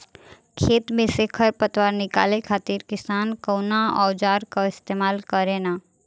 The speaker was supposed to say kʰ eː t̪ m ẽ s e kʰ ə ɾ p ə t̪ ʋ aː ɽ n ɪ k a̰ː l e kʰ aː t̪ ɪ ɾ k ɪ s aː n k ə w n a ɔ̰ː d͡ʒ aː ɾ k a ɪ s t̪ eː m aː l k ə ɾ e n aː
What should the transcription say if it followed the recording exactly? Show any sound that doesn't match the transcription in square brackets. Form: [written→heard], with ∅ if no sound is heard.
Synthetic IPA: kʰ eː t̪ m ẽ s e kʰ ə ɾ p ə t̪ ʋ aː [ɽ→ɾ] n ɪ k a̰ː l e kʰ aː t̪ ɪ ɾ k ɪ s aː n k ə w n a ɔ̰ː d͡ʒ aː ɾ k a ɪ s t̪ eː m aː l k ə ɾ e n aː